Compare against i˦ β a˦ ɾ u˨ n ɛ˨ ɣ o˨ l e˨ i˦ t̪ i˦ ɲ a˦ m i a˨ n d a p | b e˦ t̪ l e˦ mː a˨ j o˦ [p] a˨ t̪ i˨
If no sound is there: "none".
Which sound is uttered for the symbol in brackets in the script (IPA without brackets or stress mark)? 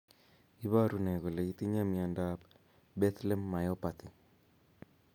p